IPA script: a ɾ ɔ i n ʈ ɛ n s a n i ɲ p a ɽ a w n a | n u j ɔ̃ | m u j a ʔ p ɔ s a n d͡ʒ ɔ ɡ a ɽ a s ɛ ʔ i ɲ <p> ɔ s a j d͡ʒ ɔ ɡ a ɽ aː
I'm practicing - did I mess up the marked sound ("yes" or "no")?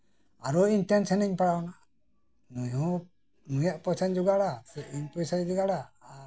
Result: no